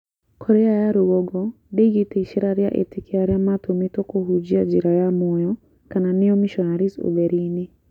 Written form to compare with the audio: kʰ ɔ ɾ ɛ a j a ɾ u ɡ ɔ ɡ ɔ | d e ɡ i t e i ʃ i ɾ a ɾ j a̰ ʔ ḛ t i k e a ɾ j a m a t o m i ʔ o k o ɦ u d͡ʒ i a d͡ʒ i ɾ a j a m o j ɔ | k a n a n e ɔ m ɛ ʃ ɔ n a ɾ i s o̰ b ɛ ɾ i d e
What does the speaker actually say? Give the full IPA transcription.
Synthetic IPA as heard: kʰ ɔ ɾ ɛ a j a ɾ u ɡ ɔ ɡ ɔ | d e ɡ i t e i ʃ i ɾ a ɾ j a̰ ʔ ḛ t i k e a ɾ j a m a t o m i t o k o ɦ u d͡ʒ i a d͡ʒ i ɾ a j a m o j ɔ | k a n a n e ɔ m i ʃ ɔ n a ɾ i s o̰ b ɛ ɾ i n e